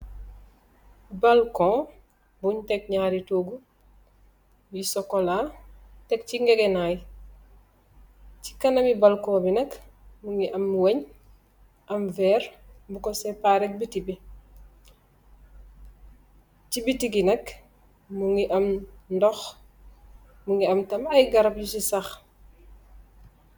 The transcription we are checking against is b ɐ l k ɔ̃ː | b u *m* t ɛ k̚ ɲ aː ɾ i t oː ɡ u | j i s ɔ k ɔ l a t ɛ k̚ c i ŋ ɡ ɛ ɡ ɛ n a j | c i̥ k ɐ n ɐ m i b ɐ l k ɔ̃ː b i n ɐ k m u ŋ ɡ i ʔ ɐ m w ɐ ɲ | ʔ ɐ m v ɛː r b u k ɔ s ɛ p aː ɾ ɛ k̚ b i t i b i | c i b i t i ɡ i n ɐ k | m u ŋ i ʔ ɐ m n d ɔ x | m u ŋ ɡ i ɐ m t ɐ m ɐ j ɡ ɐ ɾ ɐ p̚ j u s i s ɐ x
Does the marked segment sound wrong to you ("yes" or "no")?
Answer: yes